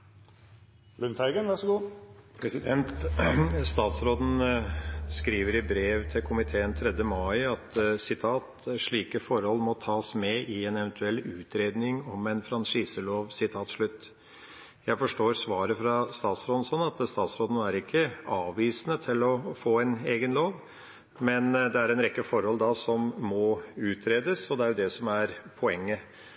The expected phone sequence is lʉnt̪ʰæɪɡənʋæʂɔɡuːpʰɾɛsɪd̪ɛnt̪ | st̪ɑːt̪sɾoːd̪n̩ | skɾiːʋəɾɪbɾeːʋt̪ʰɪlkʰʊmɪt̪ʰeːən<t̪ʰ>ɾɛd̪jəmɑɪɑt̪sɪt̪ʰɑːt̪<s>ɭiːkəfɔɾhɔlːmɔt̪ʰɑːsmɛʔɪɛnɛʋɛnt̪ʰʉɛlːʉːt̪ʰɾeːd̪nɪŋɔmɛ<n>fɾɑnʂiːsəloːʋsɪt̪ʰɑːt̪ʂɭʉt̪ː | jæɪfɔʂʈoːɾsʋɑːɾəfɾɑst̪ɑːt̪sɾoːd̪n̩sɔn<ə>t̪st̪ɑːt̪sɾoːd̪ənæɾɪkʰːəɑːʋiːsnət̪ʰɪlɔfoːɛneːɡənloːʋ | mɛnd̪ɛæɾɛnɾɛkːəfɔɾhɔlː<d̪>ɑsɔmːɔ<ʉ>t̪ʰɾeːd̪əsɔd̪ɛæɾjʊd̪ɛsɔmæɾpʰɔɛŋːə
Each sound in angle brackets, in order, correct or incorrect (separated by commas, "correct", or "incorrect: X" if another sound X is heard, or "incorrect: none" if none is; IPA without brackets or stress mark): correct, incorrect: ʂ, correct, incorrect: ɑ, correct, incorrect: ʉː